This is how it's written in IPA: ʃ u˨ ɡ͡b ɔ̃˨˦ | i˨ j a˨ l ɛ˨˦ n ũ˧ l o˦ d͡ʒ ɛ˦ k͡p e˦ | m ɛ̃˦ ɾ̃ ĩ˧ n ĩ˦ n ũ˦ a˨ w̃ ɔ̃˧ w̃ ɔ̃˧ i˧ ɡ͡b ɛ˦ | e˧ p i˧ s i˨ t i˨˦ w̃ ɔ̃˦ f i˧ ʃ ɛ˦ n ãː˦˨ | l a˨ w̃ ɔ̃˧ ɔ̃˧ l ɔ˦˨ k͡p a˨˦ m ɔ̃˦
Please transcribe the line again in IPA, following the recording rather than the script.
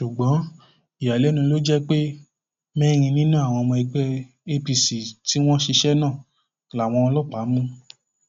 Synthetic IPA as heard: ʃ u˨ ɡ͡b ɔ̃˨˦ | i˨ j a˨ l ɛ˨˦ n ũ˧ l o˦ d͡ʒ ɛ˦ k͡p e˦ | m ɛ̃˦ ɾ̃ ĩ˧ n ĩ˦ n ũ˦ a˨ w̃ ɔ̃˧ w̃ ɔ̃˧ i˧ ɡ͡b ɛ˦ | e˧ p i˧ s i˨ t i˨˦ w̃ ɔ̃˦ ʃ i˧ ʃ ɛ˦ n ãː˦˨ | l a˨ w̃ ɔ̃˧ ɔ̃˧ l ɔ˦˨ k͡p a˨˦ m ũ˦